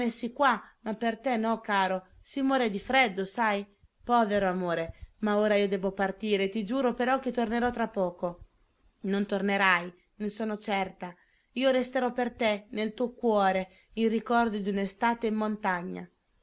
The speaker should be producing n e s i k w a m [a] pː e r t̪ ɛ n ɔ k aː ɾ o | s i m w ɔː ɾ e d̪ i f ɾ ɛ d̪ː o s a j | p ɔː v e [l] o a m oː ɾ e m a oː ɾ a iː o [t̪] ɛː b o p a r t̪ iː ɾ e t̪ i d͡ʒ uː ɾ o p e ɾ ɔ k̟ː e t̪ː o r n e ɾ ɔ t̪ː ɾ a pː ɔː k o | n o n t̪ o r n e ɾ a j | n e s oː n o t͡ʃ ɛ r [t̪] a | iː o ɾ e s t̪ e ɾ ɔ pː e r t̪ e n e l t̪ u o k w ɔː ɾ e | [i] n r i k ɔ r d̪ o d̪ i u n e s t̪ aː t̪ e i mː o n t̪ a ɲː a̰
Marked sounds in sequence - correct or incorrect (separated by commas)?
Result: correct, incorrect, incorrect, correct, correct